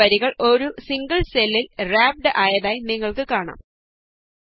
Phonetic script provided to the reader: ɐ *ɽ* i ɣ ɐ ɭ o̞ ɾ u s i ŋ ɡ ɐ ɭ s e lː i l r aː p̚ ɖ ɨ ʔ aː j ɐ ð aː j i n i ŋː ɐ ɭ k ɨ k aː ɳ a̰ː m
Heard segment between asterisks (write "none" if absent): ɾ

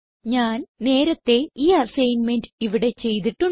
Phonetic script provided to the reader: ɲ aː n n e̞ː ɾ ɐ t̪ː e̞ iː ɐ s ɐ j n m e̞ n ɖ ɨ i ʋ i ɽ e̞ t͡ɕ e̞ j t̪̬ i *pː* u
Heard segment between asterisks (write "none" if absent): ʈː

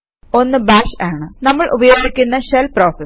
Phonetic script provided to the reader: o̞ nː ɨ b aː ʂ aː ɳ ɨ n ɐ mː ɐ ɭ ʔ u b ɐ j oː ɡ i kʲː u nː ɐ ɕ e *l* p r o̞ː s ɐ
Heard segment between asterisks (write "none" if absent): l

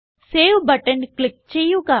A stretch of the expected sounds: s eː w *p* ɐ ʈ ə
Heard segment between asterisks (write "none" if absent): b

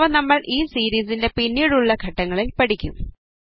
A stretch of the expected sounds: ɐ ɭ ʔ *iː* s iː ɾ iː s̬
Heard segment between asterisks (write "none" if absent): iː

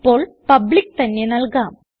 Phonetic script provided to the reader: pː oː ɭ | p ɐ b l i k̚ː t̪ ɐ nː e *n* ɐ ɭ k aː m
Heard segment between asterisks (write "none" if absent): n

